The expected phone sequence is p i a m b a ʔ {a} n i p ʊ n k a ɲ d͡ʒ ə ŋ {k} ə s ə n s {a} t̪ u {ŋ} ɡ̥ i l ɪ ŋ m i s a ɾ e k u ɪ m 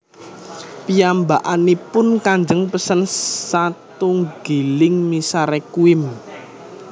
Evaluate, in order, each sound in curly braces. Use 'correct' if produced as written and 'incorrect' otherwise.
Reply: correct, incorrect: p, correct, correct

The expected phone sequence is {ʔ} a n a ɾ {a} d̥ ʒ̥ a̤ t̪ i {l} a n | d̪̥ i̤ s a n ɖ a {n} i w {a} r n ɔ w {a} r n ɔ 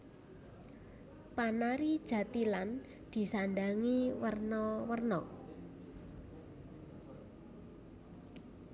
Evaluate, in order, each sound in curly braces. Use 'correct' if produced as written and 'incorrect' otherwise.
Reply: incorrect: p, incorrect: i, correct, incorrect: ŋ, incorrect: ə, incorrect: ə

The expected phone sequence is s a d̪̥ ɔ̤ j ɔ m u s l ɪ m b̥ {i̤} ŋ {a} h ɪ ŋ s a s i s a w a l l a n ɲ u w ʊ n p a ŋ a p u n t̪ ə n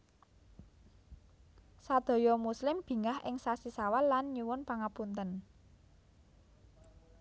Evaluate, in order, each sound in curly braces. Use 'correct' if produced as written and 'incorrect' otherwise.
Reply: correct, correct

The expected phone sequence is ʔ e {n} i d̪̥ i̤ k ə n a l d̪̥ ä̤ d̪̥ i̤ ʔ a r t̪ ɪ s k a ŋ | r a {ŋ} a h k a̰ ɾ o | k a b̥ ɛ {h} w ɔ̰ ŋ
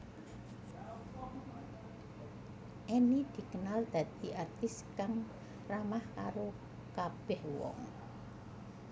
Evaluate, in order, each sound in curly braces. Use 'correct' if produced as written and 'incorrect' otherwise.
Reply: correct, incorrect: m, correct

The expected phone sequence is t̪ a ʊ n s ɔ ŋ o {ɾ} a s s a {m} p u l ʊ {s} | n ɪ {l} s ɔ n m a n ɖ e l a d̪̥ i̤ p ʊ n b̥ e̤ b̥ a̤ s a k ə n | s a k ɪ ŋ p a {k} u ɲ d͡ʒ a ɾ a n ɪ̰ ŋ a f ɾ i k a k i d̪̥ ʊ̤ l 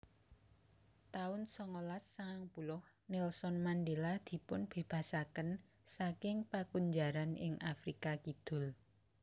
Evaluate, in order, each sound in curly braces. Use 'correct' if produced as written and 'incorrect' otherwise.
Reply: incorrect: l, incorrect: ŋ, incorrect: h, correct, correct

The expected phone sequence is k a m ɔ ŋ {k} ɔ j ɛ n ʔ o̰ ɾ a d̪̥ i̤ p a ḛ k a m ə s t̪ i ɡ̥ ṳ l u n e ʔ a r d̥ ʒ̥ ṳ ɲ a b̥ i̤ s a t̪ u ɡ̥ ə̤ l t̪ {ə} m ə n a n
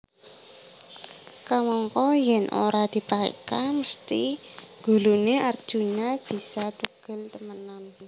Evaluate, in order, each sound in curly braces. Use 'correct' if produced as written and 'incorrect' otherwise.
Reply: correct, correct

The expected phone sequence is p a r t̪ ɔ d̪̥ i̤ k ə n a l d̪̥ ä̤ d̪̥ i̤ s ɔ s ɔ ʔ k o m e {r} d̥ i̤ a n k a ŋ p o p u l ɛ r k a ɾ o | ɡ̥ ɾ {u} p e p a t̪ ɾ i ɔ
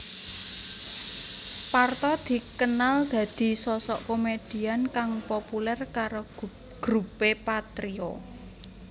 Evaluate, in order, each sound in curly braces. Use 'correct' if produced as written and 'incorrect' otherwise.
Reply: incorrect: none, correct

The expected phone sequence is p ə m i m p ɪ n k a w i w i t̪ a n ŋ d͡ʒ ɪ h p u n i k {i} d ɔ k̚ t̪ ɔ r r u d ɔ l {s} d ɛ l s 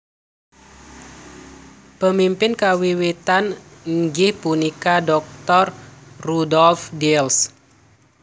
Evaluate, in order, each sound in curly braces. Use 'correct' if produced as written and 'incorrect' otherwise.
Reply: incorrect: a, incorrect: f

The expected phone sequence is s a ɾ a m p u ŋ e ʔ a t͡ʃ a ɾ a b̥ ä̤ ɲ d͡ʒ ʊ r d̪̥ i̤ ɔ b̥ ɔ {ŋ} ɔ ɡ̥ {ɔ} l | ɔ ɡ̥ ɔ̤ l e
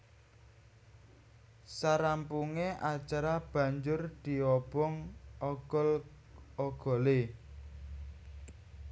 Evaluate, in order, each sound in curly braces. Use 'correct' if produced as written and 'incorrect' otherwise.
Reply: correct, correct

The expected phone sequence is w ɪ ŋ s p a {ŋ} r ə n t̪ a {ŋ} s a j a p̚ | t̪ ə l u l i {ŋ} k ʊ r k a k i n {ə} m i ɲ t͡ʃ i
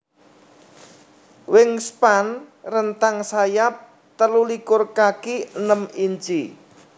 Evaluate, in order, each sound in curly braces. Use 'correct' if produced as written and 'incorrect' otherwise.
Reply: incorrect: n, correct, incorrect: none, correct

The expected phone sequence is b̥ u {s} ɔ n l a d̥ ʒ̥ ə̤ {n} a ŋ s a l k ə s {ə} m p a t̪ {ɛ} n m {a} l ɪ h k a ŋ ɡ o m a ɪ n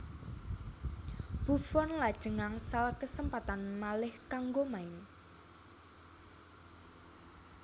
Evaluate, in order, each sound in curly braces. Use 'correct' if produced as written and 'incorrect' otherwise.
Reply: incorrect: f, incorrect: ŋ, correct, incorrect: a, correct

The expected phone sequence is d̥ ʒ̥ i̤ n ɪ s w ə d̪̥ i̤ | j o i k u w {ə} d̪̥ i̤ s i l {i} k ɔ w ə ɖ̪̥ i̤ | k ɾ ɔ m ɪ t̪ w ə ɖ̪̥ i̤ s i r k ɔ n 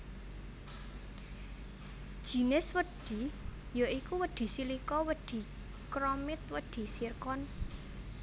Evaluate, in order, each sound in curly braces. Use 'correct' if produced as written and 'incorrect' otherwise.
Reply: correct, correct

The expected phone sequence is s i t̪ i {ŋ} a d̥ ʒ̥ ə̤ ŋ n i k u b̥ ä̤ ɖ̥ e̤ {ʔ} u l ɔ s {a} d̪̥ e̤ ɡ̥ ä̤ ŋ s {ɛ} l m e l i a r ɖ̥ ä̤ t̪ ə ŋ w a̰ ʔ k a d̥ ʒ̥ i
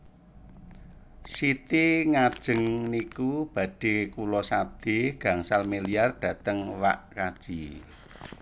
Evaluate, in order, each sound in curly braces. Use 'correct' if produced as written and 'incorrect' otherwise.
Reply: correct, incorrect: k, correct, incorrect: a

